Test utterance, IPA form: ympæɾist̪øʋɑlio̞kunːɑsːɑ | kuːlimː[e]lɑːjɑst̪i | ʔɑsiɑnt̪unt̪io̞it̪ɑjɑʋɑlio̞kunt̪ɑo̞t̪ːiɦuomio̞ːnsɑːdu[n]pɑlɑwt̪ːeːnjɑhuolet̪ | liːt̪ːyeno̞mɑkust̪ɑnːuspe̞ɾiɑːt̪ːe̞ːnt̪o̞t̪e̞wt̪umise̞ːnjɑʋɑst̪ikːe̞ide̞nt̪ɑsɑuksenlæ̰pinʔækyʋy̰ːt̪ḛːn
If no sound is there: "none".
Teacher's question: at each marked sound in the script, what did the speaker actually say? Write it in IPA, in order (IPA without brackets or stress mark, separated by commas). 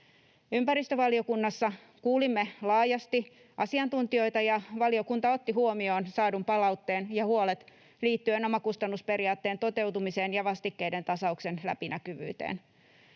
e, m